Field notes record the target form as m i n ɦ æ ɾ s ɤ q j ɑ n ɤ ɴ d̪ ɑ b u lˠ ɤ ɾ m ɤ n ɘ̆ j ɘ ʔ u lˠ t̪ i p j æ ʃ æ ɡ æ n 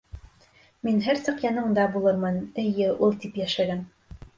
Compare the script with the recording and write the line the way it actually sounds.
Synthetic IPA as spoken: m i n ɦ æ ɾ s ɤ q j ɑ n ɤ ɴ d̪ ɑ b u lˠ ɤ ɾ m ɤ n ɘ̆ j ɘ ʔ u lˠ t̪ i p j æ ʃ æ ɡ æ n